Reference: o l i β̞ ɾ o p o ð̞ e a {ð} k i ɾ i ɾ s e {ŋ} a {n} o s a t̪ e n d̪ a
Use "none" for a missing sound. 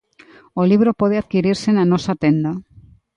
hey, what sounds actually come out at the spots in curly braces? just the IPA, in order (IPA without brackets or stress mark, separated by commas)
ð, n, n